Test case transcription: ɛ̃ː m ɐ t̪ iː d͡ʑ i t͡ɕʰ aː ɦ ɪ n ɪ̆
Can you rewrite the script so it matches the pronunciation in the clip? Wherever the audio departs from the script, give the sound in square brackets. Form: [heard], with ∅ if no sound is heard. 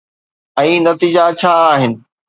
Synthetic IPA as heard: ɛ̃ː [n] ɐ t̪ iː d͡ʑ [a] t͡ɕʰ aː ɦ ɪ n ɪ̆